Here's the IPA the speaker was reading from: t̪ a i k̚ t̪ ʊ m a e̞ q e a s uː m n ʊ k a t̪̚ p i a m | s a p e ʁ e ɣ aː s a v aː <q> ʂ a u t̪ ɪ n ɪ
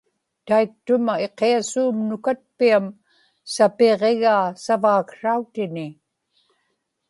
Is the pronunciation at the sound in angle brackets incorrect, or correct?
incorrect